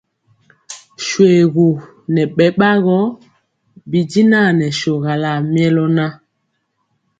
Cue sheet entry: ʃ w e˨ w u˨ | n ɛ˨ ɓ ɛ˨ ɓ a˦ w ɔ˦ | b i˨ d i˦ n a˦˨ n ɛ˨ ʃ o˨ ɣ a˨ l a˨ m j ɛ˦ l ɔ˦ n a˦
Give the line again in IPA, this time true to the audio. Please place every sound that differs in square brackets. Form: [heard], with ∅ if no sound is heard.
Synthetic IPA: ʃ w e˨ [ɣ] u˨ | n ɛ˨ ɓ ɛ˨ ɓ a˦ [ɣ] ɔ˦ | b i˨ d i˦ n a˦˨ n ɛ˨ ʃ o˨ ɣ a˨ l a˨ m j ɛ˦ l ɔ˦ n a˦